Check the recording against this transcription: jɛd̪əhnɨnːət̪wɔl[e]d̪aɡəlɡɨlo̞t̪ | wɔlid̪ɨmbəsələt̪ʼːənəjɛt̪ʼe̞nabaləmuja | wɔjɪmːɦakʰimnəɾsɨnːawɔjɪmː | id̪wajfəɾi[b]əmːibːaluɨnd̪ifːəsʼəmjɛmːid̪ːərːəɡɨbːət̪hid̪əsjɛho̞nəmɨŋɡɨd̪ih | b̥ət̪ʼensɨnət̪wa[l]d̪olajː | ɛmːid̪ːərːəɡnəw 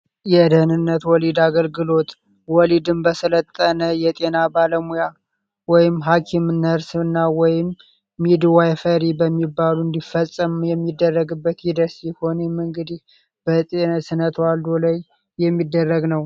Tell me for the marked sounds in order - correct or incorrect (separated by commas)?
incorrect, correct, correct